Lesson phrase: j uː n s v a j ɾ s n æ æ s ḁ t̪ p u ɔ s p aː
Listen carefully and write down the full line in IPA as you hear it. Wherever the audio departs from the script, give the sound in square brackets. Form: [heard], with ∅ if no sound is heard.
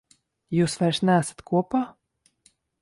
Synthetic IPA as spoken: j uː [∅] s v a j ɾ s n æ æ s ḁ t̪ [k] u ɔ [∅] p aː